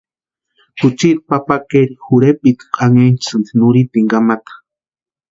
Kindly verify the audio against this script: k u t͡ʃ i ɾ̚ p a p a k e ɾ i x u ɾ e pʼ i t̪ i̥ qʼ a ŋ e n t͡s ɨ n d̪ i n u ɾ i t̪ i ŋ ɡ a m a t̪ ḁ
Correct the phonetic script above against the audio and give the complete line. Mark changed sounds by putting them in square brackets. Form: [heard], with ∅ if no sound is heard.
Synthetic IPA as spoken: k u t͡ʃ i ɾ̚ p a p a k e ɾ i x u ɾ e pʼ i t̪ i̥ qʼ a ŋ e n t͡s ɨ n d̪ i n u ɾ i t̪ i ŋ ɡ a m a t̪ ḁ